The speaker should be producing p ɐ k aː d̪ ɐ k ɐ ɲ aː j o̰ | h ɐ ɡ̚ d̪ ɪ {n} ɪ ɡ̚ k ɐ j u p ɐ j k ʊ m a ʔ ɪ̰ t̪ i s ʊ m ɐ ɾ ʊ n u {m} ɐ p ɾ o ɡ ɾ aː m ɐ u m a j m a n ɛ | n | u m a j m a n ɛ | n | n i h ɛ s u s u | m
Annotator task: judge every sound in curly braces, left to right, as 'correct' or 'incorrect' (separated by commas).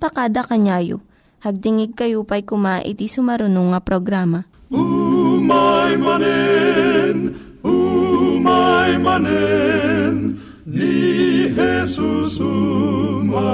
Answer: incorrect, incorrect